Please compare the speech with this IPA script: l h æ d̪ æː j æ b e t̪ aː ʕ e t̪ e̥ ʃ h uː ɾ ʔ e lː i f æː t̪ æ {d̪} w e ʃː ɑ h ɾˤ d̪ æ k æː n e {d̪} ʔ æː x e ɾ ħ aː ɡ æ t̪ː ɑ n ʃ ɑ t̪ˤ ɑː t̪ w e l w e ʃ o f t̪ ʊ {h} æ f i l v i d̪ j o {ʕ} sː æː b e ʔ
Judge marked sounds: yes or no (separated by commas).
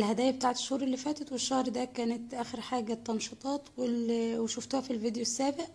no, no, yes, no